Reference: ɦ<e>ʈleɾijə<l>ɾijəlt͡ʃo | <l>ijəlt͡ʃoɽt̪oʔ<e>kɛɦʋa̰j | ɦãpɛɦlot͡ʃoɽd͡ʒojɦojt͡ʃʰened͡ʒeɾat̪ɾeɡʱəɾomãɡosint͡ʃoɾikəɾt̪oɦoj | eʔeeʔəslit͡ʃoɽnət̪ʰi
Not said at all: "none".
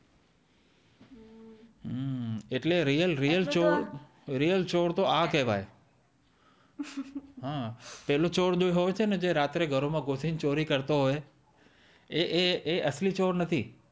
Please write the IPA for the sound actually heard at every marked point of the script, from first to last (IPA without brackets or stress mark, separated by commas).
e, l, ɾ, a